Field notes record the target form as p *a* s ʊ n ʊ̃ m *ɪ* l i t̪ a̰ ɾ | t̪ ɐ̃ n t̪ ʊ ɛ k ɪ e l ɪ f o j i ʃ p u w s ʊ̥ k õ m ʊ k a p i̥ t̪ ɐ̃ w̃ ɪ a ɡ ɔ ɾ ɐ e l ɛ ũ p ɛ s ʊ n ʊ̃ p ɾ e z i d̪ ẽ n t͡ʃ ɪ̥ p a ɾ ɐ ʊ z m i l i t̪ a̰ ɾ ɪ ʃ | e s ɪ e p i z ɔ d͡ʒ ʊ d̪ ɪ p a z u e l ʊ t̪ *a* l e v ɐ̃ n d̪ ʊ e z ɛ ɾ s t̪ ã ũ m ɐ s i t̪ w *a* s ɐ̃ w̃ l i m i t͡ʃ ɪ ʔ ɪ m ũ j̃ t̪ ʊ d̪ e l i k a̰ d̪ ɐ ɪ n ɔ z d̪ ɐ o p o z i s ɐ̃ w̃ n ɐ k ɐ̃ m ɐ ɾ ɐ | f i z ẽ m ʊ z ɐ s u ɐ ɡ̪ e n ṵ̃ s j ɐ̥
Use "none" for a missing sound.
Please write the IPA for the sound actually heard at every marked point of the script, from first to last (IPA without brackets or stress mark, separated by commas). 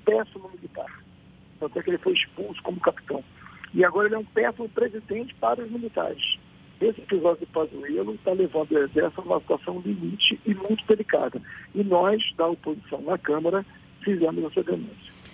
ɛ, i, a, a